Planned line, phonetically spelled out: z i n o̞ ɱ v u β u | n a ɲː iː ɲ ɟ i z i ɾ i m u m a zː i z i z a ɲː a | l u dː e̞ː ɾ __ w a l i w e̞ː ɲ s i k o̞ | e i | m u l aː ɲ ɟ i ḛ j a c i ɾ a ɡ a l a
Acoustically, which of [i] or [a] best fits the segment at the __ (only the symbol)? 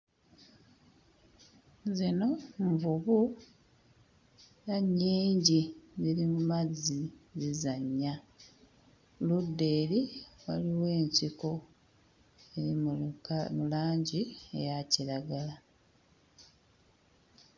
i